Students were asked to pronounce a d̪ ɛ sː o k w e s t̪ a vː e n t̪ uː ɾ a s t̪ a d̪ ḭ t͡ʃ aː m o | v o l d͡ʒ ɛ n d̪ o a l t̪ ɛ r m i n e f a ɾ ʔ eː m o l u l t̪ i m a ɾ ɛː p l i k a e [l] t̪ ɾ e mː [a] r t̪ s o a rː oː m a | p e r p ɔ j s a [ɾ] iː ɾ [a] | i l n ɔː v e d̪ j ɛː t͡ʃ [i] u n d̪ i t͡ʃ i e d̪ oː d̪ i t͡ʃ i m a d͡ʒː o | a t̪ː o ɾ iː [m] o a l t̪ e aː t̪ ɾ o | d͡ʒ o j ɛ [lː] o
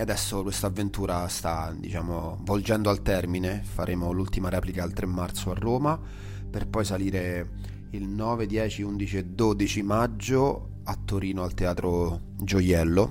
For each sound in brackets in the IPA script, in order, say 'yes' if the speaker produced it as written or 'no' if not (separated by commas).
yes, yes, no, no, yes, no, yes